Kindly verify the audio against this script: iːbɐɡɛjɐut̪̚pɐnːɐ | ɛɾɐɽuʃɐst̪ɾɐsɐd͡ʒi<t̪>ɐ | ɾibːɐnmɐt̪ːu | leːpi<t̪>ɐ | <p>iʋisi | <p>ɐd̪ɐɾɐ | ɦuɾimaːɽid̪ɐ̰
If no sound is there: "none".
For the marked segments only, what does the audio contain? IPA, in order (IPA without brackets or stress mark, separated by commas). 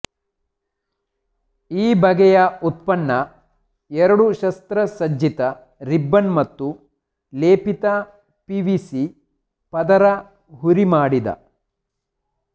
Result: t̪, t̪, p, p